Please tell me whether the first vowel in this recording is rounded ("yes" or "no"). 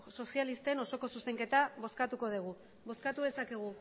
yes